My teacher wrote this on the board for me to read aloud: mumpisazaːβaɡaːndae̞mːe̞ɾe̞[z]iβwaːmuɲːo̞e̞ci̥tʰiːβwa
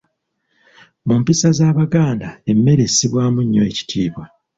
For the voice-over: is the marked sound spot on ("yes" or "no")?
no